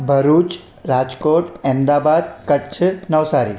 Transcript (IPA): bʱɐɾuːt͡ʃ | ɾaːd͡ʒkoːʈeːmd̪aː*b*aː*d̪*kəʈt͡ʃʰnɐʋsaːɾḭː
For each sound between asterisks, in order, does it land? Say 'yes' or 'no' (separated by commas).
yes, yes